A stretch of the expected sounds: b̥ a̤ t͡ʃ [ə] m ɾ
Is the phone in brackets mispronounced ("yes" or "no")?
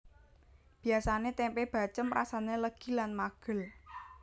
no